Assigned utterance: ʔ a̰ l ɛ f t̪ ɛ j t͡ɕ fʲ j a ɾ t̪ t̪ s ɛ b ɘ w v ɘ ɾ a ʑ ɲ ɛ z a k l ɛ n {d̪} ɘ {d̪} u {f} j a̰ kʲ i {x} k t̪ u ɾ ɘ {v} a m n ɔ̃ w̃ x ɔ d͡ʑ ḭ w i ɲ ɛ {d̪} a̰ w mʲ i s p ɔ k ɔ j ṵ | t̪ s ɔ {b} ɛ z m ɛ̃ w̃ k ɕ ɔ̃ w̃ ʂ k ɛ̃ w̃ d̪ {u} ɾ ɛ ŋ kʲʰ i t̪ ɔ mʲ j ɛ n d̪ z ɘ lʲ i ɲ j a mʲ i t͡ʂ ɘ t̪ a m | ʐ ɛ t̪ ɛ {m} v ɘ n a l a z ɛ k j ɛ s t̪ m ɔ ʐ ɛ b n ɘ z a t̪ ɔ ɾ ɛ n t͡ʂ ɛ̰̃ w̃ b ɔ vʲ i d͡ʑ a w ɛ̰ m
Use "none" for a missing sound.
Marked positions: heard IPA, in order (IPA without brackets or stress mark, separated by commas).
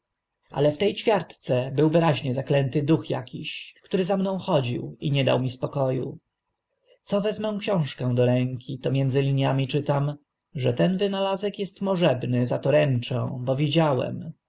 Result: t̪, d̪, x, ɕ, z, d̪, v, ɔ, n